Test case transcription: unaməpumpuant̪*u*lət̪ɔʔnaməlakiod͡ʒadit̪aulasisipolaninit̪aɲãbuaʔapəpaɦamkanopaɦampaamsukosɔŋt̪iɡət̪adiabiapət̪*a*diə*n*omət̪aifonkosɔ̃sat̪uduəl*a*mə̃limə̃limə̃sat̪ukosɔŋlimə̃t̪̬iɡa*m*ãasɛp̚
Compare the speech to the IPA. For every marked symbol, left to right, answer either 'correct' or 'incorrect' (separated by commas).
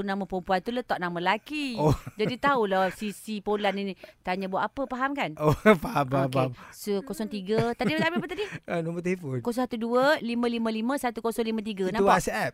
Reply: correct, correct, correct, incorrect, incorrect